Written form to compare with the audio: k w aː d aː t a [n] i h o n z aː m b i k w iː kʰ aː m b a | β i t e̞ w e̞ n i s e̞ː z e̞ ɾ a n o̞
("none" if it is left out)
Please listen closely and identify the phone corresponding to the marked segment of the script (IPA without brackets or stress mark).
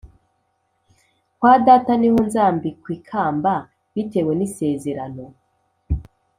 n